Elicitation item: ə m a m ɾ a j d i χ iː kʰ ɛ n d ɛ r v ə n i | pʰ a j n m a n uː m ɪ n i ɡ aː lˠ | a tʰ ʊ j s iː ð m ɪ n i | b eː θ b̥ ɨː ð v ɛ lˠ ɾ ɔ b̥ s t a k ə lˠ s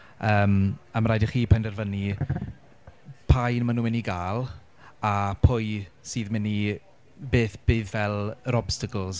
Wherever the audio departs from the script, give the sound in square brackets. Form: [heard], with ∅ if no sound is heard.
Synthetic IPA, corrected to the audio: [əː] m a m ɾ a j d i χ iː [pʰ] ɛ n d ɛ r v ə n i | pʰ a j n m a n uː m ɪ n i ɡ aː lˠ | a [pʰ] ʊ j s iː ð m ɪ n i | b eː θ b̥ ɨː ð v ɛ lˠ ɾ ɔ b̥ s t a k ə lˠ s

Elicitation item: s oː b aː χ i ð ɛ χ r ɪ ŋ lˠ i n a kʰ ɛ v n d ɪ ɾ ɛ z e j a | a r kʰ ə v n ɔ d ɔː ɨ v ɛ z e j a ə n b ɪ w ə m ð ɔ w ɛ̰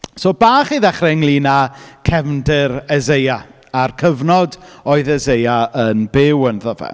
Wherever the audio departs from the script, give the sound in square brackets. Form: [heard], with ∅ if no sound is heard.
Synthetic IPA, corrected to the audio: s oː b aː χ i ð ɛ χ r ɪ ŋ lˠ i n a kʰ ɛ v n d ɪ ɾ ɛ z e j a | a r kʰ ə v n ɔ d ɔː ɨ [ð] ɛ z e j a ə n b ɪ w ə [n] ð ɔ [v] ɛ̰

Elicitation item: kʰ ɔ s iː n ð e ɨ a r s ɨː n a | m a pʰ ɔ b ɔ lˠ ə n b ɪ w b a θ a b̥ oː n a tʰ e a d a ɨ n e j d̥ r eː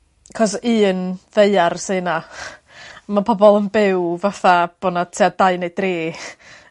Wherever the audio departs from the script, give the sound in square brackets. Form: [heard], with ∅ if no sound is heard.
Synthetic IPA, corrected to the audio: kʰ ɔ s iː n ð e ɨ a r s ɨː n a | m a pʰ ɔ b ɔ lˠ ə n b ɪ w [v] a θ a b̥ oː n a tʰ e a d a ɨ n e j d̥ r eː

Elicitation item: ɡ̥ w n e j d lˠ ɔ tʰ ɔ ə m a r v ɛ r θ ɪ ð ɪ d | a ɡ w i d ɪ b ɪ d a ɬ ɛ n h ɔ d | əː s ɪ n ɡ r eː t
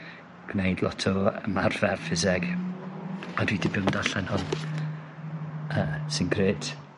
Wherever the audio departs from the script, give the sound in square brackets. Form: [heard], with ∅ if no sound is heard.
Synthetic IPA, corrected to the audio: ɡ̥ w n e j d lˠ ɔ tʰ ɔ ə m a r v ɛ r [f] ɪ [z] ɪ [ɡ] | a [d] w i d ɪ b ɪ d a ɬ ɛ n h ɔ [n] | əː s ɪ n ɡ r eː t

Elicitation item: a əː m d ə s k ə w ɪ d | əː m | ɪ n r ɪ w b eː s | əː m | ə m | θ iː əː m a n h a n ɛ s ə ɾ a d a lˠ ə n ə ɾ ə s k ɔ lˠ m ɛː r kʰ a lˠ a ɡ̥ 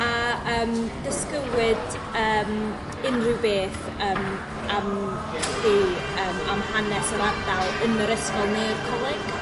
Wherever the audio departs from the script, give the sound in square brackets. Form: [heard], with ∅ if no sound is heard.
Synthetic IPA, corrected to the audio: a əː m d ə s k ə w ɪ d | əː m | ɪ n r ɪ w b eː [θ] | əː m | [a] m | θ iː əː m a [m] h a n ɛ s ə ɾ a d a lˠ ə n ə ɾ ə s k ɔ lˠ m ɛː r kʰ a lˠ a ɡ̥

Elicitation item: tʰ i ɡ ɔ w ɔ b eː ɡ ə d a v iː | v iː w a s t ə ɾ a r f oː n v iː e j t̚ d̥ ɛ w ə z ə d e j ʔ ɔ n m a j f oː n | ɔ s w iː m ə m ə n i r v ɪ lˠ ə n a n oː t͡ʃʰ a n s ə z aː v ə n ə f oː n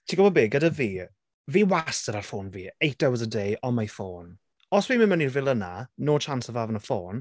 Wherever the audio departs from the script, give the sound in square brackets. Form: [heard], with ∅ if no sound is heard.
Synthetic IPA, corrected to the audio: tʰ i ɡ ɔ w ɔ b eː ɡ ə d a v iː | v iː w a s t ə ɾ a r f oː n v iː e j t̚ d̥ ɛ w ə z ə d e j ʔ ɔ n m a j f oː n | ɔ s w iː m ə m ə n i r v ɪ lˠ ə n a n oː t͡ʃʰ a n s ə [v] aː v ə n ə f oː n

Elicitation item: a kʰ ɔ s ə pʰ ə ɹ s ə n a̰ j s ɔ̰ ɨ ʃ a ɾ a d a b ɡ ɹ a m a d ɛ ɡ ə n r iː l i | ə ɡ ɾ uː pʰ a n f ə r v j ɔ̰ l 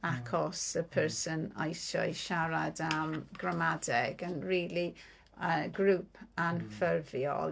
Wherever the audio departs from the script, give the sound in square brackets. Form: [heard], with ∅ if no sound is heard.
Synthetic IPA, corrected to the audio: a kʰ ɔ s ə pʰ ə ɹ s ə n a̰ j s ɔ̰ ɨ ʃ a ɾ a d a [m] ɡ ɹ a m a d ɛ ɡ ə n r iː l i | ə ɡ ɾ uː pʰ a n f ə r v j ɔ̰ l

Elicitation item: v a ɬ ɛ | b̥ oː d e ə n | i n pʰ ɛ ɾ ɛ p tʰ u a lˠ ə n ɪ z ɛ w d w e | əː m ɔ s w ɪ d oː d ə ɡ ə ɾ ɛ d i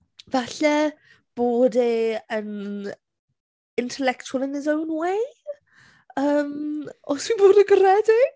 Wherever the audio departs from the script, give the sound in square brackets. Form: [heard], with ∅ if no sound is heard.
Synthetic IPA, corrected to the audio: v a ɬ ɛ | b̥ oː d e ə n | [ɪ] n [tʰ] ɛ [l] ɛ [k] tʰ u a lˠ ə n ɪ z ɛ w [n] w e | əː m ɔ s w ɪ [b] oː d ə ɡ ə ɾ ɛ d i

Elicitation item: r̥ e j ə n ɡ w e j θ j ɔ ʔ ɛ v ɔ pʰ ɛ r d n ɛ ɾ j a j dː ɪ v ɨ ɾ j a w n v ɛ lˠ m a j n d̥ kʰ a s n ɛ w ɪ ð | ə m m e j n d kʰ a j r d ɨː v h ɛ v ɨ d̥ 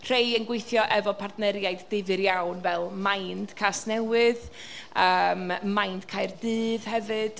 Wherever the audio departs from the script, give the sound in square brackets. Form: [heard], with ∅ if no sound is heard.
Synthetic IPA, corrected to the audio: r̥ e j ə n ɡ w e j θ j ɔ ʔ ɛ v ɔ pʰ [a] r d n ɛ ɾ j a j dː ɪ v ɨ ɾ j a w n v ɛ lˠ m a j n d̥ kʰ a s n ɛ w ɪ ð | ə m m [a] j n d kʰ a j r d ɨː v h ɛ v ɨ d̥

